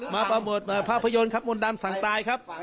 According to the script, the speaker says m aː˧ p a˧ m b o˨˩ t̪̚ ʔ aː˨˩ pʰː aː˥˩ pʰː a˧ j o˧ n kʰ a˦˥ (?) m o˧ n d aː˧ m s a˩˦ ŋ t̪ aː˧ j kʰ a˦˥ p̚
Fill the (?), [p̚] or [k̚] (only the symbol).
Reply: p̚